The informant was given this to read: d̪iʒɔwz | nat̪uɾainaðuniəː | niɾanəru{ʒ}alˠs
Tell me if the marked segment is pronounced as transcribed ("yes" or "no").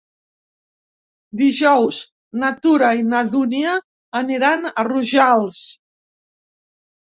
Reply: yes